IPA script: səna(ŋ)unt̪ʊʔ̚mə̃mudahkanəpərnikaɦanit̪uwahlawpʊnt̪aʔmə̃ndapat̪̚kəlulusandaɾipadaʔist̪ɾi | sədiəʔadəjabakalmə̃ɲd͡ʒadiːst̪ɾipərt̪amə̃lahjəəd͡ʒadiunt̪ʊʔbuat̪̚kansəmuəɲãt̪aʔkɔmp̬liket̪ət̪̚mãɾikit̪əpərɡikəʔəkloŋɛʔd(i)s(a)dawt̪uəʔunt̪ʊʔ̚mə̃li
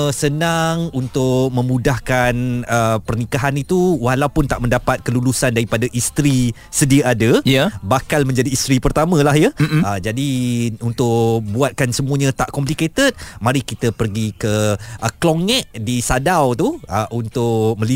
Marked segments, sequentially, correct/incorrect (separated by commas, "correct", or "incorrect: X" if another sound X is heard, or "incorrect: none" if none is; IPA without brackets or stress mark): correct, correct, correct